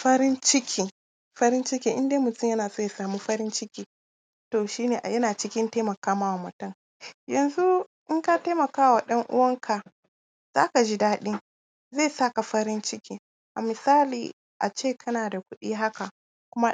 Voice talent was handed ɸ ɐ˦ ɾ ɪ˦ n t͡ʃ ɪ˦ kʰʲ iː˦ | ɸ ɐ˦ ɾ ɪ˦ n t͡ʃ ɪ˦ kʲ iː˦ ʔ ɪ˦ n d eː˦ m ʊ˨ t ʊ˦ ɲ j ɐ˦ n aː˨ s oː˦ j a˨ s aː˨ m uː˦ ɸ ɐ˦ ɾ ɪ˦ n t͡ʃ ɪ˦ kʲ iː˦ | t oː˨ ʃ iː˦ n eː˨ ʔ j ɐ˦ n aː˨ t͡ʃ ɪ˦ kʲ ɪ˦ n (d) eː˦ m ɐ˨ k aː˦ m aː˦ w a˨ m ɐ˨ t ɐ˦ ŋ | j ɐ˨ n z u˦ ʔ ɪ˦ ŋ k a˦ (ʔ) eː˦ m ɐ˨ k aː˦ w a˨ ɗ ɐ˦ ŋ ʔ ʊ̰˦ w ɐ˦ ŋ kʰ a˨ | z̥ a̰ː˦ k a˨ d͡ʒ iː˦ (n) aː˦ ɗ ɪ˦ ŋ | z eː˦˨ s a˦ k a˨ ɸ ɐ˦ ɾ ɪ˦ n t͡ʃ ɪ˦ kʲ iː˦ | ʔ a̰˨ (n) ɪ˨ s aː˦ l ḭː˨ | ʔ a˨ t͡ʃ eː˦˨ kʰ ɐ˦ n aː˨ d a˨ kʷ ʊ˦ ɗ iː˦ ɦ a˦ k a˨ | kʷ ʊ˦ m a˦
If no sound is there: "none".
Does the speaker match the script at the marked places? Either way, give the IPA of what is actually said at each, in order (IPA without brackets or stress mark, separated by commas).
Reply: t, t, d, m